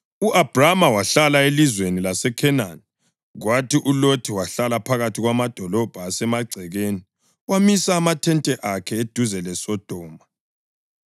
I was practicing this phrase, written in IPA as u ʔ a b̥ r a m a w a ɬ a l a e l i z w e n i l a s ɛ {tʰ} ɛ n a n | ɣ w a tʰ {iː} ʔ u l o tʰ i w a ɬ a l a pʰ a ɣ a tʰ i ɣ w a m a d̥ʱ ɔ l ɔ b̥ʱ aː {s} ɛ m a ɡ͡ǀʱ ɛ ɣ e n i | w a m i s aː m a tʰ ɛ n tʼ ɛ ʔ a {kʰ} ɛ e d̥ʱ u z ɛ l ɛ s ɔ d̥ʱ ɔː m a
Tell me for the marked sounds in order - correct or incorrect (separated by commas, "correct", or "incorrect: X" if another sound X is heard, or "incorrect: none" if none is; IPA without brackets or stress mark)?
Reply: incorrect: kʰ, incorrect: i, correct, correct